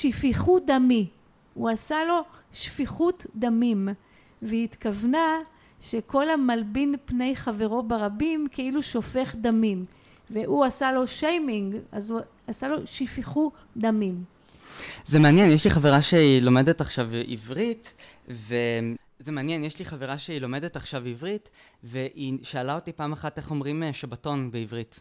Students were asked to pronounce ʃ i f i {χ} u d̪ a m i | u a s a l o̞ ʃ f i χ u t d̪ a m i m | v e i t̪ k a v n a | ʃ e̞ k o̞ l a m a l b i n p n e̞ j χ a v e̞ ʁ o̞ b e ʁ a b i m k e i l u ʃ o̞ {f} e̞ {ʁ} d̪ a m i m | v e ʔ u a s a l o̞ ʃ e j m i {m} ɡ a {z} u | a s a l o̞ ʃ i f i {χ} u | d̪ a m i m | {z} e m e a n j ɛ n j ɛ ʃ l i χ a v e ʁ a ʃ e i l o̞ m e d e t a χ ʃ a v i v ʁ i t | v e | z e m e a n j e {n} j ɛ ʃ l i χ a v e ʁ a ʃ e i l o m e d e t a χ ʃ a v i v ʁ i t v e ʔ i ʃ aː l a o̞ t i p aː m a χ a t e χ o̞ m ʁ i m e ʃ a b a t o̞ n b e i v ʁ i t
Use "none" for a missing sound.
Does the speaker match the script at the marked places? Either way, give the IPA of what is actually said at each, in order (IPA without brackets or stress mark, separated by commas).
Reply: χ, f, χ, ŋ, z, χ, z, n